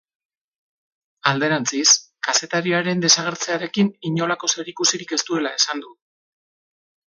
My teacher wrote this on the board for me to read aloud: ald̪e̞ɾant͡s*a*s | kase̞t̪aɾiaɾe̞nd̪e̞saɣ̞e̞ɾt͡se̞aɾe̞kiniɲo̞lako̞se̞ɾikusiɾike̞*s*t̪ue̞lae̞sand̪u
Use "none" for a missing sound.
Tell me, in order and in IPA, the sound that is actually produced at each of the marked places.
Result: i, s

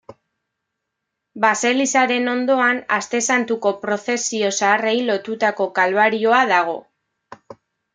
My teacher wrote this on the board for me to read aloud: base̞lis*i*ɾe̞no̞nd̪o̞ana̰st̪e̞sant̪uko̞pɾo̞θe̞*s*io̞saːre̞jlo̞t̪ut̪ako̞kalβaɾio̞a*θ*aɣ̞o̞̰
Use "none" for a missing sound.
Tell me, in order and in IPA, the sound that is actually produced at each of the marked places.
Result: a, s, ð

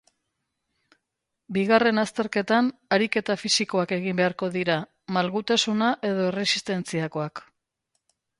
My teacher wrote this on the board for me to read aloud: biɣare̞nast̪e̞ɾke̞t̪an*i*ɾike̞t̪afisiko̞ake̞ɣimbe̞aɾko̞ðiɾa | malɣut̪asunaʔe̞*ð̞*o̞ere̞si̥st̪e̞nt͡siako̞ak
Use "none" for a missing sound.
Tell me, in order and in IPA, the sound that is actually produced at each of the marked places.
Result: a, ð̞

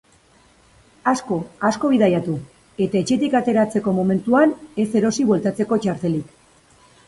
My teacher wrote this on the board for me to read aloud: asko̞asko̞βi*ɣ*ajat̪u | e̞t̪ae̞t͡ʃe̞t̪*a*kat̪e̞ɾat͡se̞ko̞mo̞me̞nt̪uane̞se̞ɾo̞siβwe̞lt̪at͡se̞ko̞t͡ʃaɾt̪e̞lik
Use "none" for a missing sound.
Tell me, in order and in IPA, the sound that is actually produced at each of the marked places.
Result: ð, i

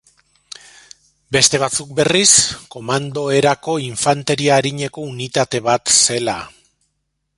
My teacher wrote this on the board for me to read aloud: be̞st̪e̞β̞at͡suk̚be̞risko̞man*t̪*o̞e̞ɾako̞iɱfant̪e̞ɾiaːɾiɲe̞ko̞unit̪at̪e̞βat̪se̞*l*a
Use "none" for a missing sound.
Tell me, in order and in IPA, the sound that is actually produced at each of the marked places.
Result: d̪, l

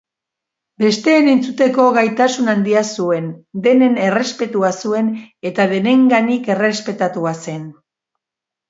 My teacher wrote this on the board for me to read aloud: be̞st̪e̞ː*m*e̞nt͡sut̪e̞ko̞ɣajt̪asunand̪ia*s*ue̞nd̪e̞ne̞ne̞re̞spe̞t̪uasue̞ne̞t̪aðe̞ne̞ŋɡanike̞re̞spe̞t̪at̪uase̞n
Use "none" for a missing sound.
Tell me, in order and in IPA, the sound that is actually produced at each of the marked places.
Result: n, s

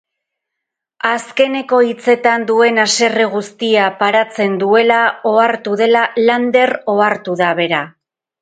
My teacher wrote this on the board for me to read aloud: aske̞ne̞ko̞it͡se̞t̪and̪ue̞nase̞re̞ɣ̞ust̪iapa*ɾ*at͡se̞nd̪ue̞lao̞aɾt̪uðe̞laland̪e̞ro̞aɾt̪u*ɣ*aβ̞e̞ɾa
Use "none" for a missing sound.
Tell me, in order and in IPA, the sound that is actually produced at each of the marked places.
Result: ɾ, ð

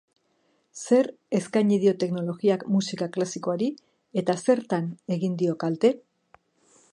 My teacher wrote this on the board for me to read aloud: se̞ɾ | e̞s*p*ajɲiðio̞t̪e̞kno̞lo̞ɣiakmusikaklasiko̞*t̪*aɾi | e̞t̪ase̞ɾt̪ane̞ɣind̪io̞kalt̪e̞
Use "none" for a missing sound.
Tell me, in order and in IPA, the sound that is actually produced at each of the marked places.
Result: k, none

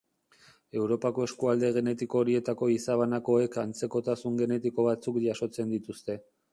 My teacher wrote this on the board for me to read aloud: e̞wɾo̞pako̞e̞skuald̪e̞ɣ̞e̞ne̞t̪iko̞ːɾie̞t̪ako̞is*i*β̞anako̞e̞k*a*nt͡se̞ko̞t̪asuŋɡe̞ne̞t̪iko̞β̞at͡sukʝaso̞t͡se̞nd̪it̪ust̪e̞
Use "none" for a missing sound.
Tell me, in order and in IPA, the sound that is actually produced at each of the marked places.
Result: a, a

